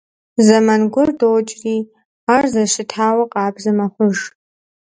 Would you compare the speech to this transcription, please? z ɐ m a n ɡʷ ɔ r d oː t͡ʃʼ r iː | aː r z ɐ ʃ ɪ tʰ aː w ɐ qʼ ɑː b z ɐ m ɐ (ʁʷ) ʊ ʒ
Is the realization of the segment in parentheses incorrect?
yes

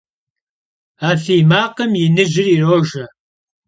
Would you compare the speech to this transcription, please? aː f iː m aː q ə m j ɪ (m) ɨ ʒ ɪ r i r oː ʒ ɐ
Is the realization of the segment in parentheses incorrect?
yes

